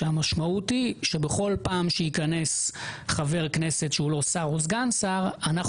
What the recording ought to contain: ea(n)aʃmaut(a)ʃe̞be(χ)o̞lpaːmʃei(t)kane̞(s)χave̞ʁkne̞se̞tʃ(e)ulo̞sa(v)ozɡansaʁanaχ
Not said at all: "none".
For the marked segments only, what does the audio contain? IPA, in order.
m, i, χ, none, s, e, ʁ

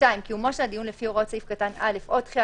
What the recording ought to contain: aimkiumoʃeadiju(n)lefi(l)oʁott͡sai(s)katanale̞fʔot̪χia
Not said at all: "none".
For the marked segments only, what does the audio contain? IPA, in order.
n, none, f

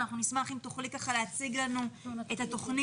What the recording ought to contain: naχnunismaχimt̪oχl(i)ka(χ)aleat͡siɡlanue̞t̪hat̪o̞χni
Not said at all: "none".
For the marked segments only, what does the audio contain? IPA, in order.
i, χ

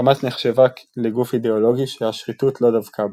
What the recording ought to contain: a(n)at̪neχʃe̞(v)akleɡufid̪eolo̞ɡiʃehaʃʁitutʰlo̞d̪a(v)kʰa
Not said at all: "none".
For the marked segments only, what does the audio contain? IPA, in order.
m, v, v

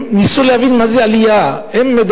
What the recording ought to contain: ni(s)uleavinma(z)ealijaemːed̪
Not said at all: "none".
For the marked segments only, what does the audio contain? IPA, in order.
s, z

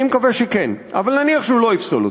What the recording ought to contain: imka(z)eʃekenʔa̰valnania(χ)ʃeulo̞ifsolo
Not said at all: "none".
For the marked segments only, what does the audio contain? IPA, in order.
v, χ

